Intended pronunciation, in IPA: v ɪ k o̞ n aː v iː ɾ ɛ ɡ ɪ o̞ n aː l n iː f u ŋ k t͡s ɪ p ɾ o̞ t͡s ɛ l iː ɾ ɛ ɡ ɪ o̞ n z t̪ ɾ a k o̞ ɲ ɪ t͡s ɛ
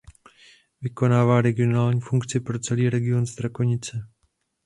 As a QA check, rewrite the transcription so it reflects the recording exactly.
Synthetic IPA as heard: v ɪ k o̞ n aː v aː ɾ ɛ ɡ ɪ o̞ n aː l ɲ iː f u ŋ k t͡s ɪ p ɾ o̞ t͡s ɛ l iː ɾ ɛ ɡ ɪ o̞ n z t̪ ɾ a k o̞ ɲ ɪ t͡s ɛ